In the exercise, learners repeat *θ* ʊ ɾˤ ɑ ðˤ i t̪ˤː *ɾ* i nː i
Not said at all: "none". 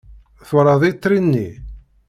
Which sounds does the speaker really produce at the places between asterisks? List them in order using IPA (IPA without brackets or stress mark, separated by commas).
θ, ɾ